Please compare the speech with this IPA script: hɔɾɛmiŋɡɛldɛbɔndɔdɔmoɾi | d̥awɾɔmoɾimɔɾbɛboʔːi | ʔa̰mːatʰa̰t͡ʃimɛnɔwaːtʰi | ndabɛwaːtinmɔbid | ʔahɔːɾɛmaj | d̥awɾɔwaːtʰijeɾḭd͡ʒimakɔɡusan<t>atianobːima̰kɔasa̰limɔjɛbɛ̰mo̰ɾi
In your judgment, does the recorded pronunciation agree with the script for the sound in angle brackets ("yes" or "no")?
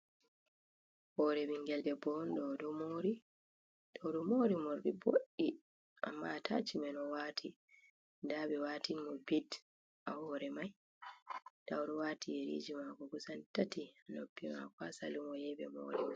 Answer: yes